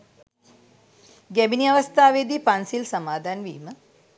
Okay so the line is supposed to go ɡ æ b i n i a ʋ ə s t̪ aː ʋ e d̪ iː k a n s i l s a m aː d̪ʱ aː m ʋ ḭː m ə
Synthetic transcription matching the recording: ɡ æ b i n i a ʋ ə s t̪ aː ʋ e d̪ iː p a n s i l s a m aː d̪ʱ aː n ʋ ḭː m ə